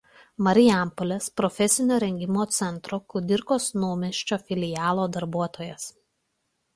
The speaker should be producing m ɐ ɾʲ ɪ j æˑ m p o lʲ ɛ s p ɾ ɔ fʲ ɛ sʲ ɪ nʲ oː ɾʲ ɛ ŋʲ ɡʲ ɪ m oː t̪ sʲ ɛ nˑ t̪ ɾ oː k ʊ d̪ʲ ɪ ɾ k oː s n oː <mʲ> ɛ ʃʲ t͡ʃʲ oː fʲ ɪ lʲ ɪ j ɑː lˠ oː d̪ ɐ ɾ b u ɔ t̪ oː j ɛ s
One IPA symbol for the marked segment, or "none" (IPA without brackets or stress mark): mʲ